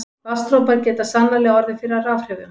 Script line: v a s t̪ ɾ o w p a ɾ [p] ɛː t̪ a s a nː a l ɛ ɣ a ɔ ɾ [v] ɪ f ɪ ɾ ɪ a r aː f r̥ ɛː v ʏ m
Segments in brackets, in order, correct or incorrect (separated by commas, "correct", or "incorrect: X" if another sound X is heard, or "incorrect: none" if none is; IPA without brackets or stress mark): incorrect: c, incorrect: ð